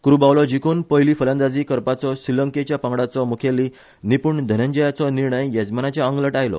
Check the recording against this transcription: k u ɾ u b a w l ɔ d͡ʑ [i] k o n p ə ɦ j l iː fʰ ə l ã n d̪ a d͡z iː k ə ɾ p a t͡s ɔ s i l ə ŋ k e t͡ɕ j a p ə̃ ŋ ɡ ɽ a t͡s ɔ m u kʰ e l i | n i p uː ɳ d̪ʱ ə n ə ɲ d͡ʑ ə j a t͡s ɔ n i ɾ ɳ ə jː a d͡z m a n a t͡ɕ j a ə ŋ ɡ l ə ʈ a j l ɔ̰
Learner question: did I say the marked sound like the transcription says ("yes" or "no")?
yes